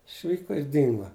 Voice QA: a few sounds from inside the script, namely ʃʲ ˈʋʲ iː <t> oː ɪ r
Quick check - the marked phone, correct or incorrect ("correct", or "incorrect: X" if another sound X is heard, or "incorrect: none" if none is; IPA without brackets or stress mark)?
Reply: incorrect: k